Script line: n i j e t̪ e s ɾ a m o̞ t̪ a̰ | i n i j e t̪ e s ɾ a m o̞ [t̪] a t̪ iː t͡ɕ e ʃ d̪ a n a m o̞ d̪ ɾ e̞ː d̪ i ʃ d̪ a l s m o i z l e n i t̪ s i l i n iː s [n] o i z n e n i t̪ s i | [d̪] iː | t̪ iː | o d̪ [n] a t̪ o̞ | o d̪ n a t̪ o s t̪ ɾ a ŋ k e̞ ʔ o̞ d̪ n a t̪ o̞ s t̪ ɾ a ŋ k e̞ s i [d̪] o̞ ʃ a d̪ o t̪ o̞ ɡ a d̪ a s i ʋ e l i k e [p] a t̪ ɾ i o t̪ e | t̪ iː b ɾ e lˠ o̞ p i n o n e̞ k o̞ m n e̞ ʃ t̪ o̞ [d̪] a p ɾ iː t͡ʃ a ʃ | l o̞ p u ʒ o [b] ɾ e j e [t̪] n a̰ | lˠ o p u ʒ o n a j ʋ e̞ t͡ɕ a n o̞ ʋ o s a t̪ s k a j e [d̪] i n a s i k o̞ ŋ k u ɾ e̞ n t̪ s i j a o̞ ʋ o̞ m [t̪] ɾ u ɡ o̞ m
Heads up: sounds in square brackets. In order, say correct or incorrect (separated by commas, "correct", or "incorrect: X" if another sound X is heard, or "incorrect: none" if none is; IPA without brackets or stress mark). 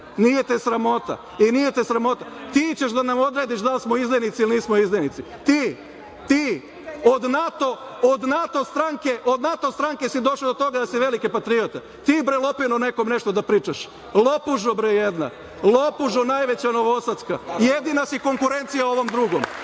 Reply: correct, incorrect: m, incorrect: t̪, correct, correct, correct, correct, correct, incorrect: d̪, correct, incorrect: d̪